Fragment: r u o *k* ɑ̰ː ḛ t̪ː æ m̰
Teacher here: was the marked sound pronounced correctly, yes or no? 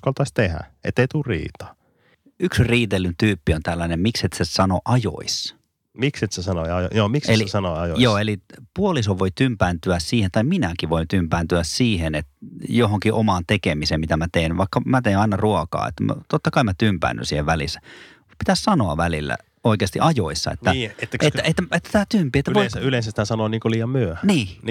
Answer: yes